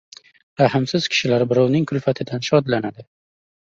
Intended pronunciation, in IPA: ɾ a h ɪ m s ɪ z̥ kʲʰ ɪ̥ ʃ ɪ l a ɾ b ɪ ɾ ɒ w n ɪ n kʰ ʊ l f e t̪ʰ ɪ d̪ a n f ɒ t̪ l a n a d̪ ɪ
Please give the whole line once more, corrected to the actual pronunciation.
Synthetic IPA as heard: ɾ a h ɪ m s ɪ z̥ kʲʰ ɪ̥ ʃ ɪ l a ɾ b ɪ ɾ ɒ w n ɪ ŋ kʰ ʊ l f a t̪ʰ ɪ d̪ a n ʃ ɒ d̪ l a n a d̪ ɪ